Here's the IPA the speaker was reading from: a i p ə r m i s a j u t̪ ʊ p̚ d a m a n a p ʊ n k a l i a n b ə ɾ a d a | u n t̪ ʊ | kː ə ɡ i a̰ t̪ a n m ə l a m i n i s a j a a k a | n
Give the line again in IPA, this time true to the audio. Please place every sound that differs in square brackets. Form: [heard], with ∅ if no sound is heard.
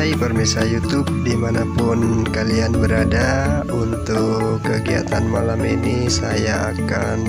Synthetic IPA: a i p ə r m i s a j u t̪ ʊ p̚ d [i] m a n a p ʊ n k a l i a n b ə ɾ a d a | u n t̪ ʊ | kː ə ɡ i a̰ t̪ a n m [a] l a m i n i s a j a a k a | n